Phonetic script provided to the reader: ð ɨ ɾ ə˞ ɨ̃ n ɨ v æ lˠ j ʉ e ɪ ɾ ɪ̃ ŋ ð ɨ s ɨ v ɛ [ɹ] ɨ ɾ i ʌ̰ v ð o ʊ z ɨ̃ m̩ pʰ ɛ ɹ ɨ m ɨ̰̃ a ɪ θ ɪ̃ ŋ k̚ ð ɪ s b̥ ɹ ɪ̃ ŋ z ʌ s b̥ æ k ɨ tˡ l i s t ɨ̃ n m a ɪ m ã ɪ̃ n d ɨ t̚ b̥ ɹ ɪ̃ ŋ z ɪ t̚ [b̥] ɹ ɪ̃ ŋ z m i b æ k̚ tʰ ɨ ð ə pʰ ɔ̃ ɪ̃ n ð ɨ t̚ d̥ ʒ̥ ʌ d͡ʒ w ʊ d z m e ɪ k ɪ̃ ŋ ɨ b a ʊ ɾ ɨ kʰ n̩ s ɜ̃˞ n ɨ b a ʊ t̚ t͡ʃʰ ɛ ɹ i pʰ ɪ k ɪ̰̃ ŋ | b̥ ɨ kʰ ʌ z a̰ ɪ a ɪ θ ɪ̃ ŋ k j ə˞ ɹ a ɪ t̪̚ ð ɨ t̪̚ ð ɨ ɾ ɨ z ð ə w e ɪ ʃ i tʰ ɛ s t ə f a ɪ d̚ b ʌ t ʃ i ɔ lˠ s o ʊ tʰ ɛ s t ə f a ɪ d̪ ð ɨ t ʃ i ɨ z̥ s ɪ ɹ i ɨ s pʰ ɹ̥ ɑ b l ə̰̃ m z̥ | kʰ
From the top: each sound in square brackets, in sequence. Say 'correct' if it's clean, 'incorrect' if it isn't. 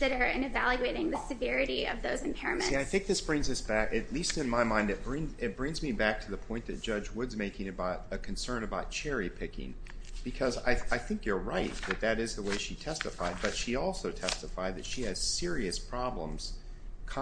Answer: correct, correct

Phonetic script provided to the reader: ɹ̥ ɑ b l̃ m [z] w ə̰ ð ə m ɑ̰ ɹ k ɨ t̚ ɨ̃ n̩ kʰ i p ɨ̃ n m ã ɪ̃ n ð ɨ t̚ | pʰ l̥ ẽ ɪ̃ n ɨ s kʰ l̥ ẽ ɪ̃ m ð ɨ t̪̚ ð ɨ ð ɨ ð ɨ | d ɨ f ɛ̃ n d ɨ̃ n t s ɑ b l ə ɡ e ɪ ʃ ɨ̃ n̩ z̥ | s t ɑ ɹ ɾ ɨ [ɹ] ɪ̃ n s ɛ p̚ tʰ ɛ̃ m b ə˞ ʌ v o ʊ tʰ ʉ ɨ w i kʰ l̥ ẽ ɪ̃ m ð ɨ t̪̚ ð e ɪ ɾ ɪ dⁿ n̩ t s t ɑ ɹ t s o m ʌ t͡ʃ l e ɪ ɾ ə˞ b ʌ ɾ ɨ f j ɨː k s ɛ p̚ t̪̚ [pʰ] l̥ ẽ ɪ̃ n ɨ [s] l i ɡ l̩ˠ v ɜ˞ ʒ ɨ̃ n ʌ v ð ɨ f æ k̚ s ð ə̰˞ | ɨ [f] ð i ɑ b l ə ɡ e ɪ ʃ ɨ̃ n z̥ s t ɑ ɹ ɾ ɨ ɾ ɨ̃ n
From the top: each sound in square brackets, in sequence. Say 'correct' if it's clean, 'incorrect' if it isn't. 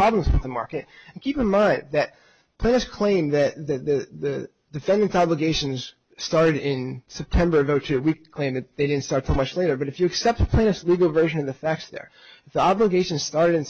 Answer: correct, incorrect: ɾ, correct, correct, correct

